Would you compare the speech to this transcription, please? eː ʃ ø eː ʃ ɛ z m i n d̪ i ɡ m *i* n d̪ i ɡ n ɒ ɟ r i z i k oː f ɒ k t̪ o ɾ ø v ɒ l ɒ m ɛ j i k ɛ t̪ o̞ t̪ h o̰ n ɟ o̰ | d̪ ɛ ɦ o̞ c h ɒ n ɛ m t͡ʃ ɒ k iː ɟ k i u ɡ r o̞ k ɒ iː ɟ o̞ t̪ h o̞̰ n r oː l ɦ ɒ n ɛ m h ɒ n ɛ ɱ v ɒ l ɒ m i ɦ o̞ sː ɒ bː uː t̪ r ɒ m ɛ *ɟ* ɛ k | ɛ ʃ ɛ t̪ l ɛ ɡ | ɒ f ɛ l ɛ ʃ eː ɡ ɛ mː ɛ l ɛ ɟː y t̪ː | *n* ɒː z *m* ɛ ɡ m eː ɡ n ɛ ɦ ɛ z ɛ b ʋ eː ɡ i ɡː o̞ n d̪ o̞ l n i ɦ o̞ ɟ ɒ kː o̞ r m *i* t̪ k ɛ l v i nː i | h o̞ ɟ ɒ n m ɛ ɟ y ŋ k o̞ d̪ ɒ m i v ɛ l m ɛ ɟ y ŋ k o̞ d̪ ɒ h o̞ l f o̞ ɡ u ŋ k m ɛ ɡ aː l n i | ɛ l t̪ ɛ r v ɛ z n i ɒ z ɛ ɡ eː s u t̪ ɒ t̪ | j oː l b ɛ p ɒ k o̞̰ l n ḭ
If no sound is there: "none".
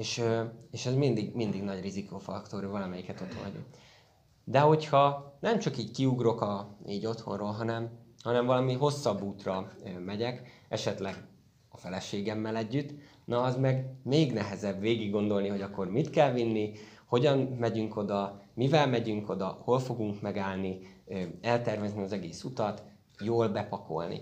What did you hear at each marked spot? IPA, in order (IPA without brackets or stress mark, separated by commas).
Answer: i, ɟ, n, m, i